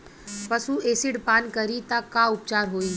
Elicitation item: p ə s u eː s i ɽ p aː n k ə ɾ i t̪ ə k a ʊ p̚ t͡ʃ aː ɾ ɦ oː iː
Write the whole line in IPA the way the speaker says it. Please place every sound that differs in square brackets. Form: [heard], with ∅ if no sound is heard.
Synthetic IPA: p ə s u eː s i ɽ p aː n k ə ɾ i t̪ [a] k a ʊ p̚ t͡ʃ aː ɾ ɦ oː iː